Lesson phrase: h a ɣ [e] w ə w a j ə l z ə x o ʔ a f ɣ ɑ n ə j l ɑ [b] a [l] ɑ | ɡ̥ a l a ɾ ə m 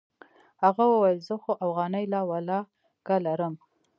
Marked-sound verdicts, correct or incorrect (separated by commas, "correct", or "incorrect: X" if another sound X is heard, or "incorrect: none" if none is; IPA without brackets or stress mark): incorrect: a, incorrect: w, correct